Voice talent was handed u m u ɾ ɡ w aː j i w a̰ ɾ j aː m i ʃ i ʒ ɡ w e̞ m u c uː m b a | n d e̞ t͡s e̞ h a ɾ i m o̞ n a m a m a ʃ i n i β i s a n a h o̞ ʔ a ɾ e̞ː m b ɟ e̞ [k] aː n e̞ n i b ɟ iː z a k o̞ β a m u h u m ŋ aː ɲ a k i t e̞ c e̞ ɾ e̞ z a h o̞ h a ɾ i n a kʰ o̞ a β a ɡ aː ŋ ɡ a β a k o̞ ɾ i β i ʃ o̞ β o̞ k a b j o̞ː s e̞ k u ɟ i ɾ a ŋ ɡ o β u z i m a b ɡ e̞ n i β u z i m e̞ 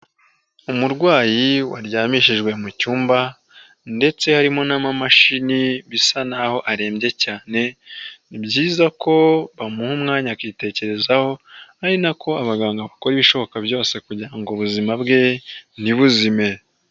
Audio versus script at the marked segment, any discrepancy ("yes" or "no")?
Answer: yes